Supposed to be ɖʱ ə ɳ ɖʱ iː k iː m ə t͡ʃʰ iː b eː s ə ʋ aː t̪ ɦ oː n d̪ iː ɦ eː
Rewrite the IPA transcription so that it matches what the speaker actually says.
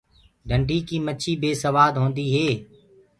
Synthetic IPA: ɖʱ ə ɳ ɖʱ iː k iː m ə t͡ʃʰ iː b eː s ə ʋ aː d̪ ɦ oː n d̪ iː ɦ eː